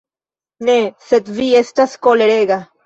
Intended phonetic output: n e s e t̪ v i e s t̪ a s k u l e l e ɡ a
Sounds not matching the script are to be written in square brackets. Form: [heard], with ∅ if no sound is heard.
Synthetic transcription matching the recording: n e s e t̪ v i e s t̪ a s k [o] l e [ɾ] e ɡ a